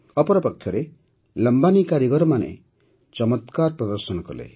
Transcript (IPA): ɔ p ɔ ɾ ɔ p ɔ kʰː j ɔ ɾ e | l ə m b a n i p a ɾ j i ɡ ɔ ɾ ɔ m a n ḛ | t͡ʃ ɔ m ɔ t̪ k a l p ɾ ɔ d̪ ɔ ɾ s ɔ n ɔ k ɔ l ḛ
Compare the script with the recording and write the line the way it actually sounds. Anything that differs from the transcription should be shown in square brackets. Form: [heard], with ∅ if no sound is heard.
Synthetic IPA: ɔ p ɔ ɾ ɔ p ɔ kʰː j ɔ ɾ e | l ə m b a n i [k] a ɾ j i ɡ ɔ ɾ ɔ m a n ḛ | t͡ʃ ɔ m ɔ t̪ k a [ɾ] p ɾ ɔ d̪ ɔ ɾ s ɔ n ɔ k ɔ l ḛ